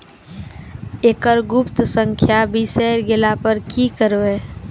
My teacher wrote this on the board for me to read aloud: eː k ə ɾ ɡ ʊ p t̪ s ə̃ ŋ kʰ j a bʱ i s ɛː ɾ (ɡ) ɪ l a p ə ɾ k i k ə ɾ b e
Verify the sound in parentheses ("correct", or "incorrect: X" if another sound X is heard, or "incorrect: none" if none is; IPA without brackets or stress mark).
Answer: correct